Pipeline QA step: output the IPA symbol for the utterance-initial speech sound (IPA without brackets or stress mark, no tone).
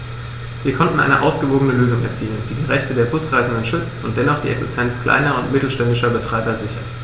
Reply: v